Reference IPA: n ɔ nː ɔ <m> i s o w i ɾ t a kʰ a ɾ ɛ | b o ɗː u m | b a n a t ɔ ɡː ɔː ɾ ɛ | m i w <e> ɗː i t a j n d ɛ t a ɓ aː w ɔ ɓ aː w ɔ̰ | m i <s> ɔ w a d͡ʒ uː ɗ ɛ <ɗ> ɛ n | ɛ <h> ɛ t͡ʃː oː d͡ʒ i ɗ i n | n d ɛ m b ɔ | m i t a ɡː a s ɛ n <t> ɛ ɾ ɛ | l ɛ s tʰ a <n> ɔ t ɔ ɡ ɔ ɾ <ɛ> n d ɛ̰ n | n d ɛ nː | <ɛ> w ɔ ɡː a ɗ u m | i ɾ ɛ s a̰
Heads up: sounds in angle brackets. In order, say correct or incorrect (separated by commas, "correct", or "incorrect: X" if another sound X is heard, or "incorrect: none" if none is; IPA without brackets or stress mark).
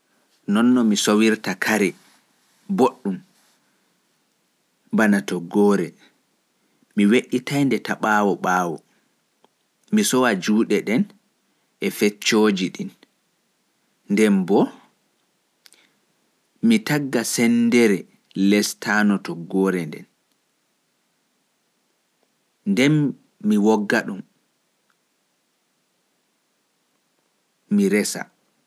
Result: correct, correct, correct, correct, incorrect: f, incorrect: d, correct, correct, incorrect: i